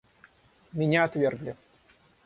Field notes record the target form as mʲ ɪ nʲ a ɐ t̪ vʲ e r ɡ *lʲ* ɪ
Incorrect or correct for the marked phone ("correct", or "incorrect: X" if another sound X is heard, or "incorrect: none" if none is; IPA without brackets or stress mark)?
correct